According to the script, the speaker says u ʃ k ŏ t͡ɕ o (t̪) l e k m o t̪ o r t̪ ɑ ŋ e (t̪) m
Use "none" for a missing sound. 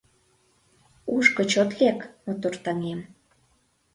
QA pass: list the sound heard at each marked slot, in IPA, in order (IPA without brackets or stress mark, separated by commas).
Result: t̪, none